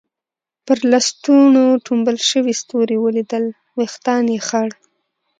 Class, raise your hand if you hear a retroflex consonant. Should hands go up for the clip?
yes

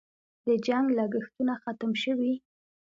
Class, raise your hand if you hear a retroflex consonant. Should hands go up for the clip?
no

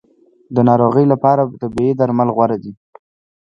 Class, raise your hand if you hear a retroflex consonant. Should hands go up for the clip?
no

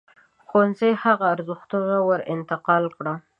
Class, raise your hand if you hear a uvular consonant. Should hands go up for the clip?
yes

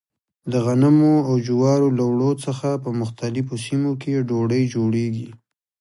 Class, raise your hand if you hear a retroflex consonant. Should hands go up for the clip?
yes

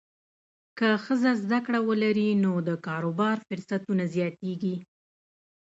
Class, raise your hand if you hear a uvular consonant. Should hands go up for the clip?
no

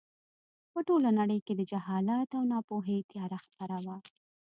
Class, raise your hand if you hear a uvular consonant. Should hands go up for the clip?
no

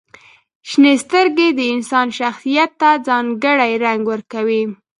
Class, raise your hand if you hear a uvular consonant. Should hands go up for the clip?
no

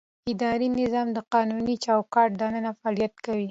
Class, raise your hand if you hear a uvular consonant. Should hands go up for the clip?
yes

